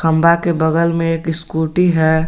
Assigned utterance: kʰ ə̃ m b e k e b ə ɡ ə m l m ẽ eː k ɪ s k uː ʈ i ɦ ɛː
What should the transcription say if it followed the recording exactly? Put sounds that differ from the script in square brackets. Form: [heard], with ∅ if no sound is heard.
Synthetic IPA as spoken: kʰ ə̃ m b [a] k e b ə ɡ ə [∅] l m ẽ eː k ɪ s k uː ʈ i ɦ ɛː